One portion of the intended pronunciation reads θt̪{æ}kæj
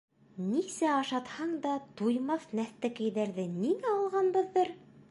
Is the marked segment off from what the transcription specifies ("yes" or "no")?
no